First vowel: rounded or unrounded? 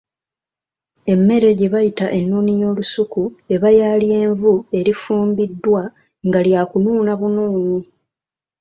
unrounded